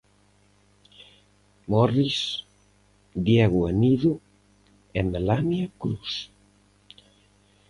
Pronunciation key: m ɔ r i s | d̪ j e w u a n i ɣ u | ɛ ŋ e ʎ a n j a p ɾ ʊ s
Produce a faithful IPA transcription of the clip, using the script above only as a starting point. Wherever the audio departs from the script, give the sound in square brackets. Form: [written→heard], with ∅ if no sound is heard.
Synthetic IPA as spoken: m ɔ r i s | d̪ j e [w→ɣ] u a n i [ɣ→ð] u | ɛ [ŋ→m] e [ʎ→l] a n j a [p→k] ɾ [ʊ→u] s